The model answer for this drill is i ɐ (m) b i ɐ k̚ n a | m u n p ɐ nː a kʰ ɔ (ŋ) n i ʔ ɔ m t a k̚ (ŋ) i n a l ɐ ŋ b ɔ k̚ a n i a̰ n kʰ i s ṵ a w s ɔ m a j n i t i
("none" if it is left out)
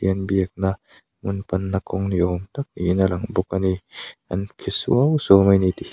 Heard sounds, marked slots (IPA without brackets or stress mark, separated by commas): n, ŋ, n